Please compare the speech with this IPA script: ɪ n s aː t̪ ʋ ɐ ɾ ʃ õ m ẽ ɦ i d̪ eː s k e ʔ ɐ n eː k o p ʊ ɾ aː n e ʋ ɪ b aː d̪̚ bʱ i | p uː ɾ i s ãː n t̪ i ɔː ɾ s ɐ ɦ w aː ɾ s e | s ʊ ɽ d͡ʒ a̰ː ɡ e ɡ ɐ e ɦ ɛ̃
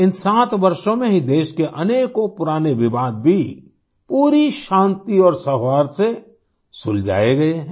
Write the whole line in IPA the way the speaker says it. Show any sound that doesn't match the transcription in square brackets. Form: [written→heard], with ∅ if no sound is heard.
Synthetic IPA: ɪ n s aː t̪ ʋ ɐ ɾ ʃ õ m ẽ ɦ i d̪ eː [s→ʃ] k e ʔ ɐ n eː k o p ʊ ɾ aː n e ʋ ɪ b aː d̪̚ bʱ i | p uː ɾ i [s→ʃ] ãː n t̪ i ɔː ɾ s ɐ ɦ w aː ɾ s e | s ʊ [ɽ→l] d͡ʒ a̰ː [ɡ→∅] e ɡ ɐ e ɦ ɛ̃